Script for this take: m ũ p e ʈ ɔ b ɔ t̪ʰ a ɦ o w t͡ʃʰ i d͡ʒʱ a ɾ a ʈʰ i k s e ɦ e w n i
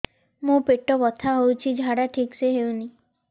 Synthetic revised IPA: m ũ p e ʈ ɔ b ɔ t̪ʰ a ɦ o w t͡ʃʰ i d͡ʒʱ a ɽ a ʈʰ i k s e ɦ e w n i